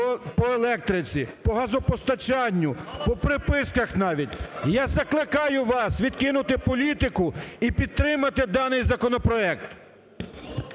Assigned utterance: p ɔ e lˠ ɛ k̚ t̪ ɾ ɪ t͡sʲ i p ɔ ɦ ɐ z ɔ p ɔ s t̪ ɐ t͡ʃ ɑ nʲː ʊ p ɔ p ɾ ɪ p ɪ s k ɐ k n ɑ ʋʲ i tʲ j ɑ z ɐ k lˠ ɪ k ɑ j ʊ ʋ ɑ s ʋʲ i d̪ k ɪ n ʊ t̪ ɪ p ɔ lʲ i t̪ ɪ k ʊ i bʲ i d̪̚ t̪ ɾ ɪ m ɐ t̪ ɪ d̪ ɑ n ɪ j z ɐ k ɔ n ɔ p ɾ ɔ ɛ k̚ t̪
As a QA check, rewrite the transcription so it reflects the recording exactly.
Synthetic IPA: p ɔ e lˠ ɛ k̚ t̪ ɾ ɪ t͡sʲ i p ɔ ɦ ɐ z ɔ p ɔ s t̪ ɐ t͡ʃ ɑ nʲː ʊ p ɔ p ɾ ɪ p ɪ s k ɐ x n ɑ ʋʲ i tʲ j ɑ z ɐ k lˠ ɪ k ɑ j ʊ ʋ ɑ s ʋʲ i d̪ k ɪ n ʊ t̪ ɪ p ɔ lʲ i t̪ ɪ k ʊ i pʲ i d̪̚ t̪ ɾ ɪ m ɐ t̪ ɪ d̪ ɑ n ɪ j z ɐ k ɔ n ɔ p ɾ ɔ ɛ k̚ t̪